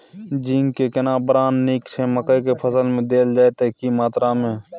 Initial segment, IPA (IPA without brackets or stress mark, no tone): d͡ʒ